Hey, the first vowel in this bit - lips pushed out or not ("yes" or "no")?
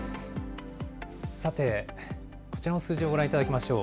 no